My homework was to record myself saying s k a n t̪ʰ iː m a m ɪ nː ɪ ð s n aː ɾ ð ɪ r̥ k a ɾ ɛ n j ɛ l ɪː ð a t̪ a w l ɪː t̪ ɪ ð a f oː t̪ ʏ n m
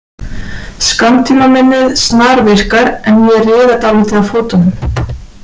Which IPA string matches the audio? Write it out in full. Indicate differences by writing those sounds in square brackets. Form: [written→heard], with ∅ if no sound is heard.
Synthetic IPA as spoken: s k a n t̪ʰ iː m a m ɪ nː ɪ ð s n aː ɾ [ð→v] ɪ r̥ k a ɾ ɛ n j ɛ [l→r] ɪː ð a t̪ a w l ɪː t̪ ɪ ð a f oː t̪ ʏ n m